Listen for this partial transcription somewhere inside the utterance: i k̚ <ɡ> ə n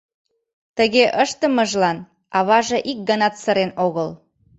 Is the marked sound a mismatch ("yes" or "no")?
no